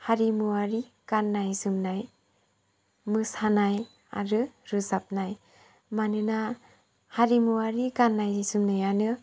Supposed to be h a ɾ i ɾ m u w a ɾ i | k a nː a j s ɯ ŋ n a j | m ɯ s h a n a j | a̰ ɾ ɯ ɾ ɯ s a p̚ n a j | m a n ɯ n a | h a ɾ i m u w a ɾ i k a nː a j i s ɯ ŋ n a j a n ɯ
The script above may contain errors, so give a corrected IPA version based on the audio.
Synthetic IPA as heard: h a ɾ i m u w a ɾ i | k a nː a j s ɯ m n a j | m ɯ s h a n a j | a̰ ɾ ɯ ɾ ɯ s a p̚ n a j | m a n ɯ n a | h a ɾ i m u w a ɾ i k a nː a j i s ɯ m n a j a n ɯ